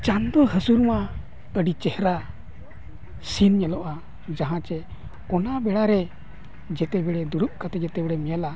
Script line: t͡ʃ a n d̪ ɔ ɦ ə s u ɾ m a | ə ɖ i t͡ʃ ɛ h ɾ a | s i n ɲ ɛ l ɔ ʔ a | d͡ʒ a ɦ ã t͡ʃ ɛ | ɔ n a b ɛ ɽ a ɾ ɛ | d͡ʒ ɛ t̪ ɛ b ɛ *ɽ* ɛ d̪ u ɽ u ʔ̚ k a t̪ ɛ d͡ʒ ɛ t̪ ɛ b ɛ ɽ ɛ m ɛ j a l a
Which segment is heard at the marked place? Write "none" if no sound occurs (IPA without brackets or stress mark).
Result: ɽ